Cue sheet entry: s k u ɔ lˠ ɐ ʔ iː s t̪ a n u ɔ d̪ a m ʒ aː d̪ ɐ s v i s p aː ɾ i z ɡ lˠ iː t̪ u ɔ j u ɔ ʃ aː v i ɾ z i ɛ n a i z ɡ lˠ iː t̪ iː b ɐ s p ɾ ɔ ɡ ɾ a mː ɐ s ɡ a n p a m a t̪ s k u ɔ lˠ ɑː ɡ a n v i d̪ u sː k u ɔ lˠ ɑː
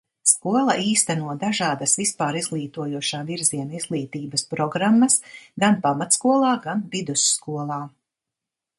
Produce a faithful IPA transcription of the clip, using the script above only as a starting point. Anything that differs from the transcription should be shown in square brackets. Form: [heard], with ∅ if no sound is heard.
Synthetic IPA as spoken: s k u ɔ lˠ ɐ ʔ iː s t̪ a n u ɔ d̪ a [∅] ʒ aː d̪ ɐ s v i s p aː ɾ i z ɡ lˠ iː t̪ u ɔ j u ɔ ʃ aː v i ɾ z i ɛ n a i z ɡ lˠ iː t̪ iː b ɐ s p ɾ ɔ ɡ ɾ a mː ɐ s ɡ a n p a m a t̪ s k u ɔ lˠ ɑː ɡ a n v i d̪ u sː k u ɔ lˠ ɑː